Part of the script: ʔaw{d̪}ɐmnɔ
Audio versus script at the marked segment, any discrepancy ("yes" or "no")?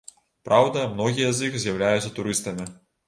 no